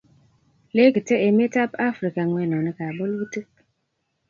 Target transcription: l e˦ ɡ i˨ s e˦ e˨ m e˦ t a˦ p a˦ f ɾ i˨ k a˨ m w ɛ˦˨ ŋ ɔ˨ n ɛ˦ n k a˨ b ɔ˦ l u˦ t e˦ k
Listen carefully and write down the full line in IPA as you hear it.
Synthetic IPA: l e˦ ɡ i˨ t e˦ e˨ m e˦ t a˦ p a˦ f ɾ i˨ k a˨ ŋ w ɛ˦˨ n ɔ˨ n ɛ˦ k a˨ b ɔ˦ l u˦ t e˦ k